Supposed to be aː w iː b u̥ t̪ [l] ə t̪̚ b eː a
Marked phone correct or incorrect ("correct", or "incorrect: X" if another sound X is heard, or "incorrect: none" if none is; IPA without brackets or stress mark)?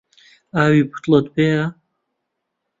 correct